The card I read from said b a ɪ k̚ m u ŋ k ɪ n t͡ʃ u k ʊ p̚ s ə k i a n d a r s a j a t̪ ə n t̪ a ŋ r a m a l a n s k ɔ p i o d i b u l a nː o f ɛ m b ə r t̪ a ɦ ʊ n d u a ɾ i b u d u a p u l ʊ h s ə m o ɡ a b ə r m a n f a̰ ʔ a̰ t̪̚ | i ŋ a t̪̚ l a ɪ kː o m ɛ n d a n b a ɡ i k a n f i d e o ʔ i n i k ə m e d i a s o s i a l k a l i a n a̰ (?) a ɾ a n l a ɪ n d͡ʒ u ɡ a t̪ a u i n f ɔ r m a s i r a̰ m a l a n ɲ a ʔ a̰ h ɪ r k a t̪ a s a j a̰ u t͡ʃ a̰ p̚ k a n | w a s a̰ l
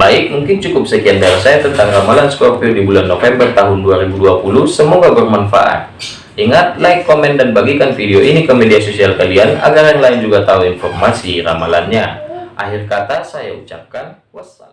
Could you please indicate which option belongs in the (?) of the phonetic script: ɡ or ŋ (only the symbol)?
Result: ɡ